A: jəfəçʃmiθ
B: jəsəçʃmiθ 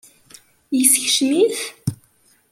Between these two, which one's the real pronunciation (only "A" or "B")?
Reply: B